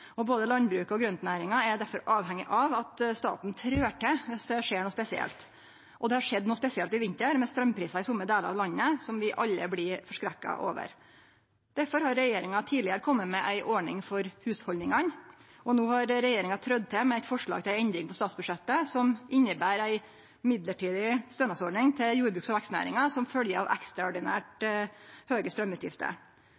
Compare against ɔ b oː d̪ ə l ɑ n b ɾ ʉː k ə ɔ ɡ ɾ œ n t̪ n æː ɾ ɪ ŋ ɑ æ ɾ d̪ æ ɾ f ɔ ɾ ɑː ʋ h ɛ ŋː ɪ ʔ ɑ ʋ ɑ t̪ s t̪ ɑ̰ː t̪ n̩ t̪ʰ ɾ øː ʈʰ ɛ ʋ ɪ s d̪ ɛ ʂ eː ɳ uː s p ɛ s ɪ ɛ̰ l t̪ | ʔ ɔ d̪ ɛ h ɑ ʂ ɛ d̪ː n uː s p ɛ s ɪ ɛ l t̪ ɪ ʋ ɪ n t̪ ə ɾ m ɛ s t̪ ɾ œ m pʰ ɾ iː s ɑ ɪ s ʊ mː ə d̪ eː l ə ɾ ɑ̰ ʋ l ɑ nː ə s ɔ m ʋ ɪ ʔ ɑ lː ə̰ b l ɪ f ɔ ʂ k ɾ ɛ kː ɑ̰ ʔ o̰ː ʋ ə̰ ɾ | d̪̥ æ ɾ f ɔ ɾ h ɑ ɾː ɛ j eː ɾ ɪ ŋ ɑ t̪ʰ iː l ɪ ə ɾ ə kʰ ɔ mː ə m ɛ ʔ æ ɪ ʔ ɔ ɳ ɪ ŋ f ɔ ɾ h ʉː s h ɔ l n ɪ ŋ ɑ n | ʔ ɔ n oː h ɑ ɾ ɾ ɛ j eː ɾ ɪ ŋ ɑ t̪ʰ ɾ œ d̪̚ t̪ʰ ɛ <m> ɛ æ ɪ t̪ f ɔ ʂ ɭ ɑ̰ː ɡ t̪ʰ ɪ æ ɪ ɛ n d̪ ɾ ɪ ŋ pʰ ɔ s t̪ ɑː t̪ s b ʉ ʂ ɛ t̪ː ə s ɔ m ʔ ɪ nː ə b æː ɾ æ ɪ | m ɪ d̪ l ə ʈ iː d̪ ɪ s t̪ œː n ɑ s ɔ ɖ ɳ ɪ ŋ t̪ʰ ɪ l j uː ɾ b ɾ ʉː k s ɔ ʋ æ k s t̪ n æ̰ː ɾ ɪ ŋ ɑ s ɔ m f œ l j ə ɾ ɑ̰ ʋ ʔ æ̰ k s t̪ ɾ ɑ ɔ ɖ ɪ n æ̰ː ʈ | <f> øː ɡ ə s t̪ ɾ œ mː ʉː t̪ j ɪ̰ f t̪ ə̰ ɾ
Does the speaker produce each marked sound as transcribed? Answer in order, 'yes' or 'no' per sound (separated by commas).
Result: yes, no